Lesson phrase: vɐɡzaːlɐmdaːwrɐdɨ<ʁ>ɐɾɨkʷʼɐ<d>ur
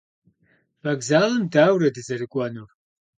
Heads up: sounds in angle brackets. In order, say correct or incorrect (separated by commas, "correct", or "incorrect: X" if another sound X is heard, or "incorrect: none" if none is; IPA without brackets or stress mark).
incorrect: z, incorrect: n